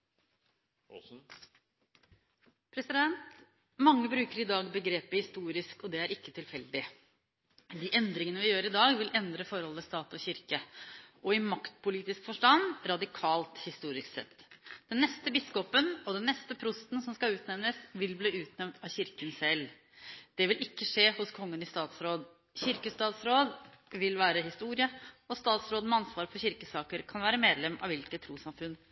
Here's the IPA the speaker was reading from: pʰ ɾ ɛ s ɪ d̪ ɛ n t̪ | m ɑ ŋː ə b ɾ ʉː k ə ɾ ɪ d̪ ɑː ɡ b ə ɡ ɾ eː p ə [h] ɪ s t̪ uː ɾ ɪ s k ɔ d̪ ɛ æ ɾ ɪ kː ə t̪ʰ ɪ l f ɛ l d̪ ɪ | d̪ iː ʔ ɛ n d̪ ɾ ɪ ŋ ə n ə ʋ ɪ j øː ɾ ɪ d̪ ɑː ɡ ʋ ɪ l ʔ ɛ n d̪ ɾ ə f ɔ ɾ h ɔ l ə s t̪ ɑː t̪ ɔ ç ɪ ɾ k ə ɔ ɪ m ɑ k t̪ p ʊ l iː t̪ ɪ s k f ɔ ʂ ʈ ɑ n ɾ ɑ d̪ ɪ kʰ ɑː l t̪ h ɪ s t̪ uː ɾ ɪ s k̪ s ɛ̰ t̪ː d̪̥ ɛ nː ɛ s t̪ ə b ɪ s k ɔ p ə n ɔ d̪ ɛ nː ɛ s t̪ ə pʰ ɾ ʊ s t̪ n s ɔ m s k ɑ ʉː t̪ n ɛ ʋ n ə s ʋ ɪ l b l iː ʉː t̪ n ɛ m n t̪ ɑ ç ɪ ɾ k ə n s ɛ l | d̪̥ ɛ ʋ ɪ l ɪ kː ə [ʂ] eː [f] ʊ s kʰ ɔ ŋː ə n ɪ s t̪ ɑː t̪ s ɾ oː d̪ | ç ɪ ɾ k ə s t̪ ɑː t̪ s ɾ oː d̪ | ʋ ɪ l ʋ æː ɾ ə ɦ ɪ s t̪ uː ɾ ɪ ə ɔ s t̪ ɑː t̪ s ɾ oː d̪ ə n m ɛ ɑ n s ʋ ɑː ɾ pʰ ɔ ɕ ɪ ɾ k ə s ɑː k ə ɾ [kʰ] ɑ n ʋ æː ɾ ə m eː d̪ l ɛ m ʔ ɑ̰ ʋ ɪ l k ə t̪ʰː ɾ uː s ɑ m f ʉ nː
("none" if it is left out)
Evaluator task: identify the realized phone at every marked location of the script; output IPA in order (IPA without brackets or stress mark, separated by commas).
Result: h, ʂ, h, kʰ